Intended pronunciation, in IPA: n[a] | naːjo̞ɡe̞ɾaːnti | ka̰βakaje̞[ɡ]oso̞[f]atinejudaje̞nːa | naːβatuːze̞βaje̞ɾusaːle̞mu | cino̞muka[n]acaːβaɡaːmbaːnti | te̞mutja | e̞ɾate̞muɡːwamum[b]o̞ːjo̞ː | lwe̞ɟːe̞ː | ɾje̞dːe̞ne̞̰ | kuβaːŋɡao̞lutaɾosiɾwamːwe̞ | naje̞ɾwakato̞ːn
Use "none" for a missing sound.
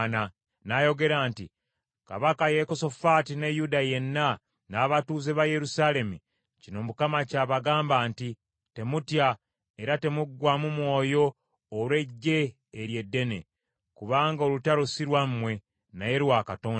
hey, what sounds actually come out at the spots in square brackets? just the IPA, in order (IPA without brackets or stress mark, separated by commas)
a, k, f, m, w